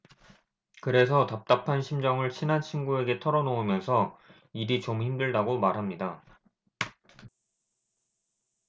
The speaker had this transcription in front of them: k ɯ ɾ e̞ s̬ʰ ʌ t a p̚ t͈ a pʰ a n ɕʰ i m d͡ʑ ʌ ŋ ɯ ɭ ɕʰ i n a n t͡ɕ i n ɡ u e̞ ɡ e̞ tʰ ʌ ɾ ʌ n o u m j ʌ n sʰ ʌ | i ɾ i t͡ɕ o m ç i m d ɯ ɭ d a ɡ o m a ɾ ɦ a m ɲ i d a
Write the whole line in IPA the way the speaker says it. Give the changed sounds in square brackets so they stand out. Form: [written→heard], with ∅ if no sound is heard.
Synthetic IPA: k ɯ ɾ e̞ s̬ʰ ʌ t a p̚ t͈ a pʰ a n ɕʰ i m d͡ʑ ʌ ŋ ɯ ɭ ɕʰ i n a n [t͡ɕ→t͡ɕʰ] i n ɡ u e̞ ɡ e̞ tʰ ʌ ɾ ʌ n o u m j ʌ n sʰ ʌ | i ɾ i t͡ɕ o m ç i m d ɯ ɭ d a ɡ o m a ɾ ɦ a m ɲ i d a

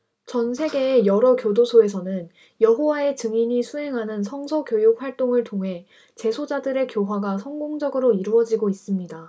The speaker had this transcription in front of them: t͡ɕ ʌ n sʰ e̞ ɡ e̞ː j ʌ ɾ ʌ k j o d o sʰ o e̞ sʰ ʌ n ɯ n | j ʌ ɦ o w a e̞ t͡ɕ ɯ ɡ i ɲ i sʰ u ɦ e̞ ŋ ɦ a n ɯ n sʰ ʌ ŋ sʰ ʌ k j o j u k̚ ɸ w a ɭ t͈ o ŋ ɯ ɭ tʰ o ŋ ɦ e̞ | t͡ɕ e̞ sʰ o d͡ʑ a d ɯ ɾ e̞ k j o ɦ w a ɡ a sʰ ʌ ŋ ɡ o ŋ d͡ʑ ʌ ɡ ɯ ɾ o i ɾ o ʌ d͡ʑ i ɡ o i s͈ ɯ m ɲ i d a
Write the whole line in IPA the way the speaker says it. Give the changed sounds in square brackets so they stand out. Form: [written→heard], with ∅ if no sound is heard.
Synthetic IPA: t͡ɕ ʌ n sʰ e̞ ɡ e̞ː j ʌ ɾ ʌ k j o d o sʰ o e̞ sʰ ʌ n ɯ n | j ʌ ɦ o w a e̞ t͡ɕ ɯ [ɡ→ŋ] i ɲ i sʰ u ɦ e̞ ŋ ɦ a n ɯ n sʰ ʌ ŋ sʰ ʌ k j o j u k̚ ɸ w a ɭ t͈ o ŋ ɯ ɭ tʰ o ŋ ɦ e̞ | t͡ɕ e̞ sʰ o d͡ʑ a d ɯ ɾ e̞ k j o ɦ w a ɡ a sʰ ʌ ŋ ɡ o ŋ d͡ʑ ʌ ɡ ɯ ɾ o i ɾ [o→u] ʌ d͡ʑ i ɡ o i s͈ ɯ m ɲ i d a

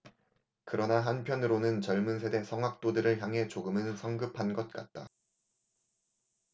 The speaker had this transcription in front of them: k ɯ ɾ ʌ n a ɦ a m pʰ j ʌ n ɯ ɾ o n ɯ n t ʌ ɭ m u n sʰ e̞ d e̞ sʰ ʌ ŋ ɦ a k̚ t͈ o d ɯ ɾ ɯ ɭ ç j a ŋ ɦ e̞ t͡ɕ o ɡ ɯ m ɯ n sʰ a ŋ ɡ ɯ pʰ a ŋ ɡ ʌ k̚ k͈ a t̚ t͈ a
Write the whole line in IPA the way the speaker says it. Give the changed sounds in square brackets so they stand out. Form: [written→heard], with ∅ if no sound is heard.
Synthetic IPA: k ɯ ɾ ʌ n a ɦ a [m→n] pʰ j ʌ n ɯ ɾ o n ɯ n [t→t͡ɕ] ʌ ɭ m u n sʰ e̞ d e̞ sʰ ʌ ŋ ɦ a k̚ t͈ o d ɯ ɾ ɯ ɭ ç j a ŋ ɦ e̞ t͡ɕ o ɡ ɯ m ɯ n sʰ [a→ʌ] ŋ ɡ ɯ pʰ a [ŋ→n] ɡ ʌ [k̚→t̚] k͈ a t̚ t͈ a

